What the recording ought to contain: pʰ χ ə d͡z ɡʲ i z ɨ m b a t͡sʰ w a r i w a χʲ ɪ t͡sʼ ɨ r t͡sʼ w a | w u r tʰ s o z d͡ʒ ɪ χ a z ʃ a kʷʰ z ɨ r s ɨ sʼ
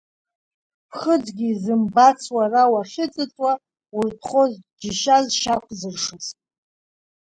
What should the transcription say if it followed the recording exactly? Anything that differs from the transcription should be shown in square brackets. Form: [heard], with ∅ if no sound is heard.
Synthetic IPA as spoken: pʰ χ ə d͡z ɡʲ i z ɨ m b a t͡sʰ w a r [a] w a χʲ ɪ t͡sʼ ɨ [∅] t͡sʼ w a | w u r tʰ [χ] o z d͡ʒ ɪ [ʃ] a z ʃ a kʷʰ z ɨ r [ʂ] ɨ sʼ